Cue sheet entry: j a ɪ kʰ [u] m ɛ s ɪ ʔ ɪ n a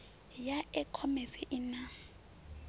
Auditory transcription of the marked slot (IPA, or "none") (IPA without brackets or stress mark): ɔ